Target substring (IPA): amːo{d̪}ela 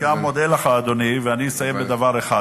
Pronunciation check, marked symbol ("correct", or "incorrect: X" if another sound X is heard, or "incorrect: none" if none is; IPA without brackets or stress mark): correct